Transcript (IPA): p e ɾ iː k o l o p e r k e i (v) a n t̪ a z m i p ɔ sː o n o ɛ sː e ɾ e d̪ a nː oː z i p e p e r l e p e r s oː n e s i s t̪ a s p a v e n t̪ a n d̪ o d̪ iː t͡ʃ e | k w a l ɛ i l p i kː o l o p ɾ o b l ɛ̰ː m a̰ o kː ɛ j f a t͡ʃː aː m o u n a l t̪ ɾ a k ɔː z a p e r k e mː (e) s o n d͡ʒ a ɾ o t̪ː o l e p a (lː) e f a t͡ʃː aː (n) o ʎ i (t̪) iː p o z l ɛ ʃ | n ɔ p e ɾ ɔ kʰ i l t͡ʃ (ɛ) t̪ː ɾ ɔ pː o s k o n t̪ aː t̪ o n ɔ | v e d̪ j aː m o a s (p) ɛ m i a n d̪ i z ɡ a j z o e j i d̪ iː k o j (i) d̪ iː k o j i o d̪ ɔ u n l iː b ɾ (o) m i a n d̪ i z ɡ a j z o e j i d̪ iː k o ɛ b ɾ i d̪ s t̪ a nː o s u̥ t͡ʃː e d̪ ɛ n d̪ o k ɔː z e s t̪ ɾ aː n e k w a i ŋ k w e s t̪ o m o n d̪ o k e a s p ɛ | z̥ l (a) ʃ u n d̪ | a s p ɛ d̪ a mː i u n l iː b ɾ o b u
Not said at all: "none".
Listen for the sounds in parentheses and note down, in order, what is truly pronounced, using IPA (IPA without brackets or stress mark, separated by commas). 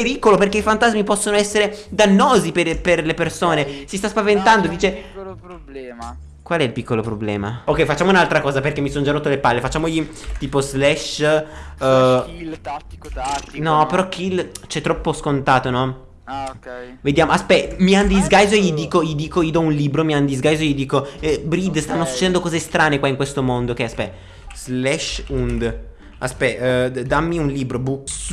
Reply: f, i, lː, m, t̪, ɛ, p, i, o, ɛ